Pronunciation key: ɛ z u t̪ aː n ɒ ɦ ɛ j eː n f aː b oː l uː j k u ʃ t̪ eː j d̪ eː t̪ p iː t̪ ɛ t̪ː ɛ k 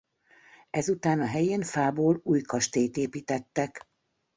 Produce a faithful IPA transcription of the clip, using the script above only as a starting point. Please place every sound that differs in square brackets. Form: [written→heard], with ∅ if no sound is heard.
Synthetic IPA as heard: ɛ z u t̪ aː n ɒ ɦ ɛ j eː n f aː b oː l uː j k [u→ɒ] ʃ t̪ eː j [d̪→t̪] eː [t̪→∅] p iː t̪ ɛ t̪ː ɛ k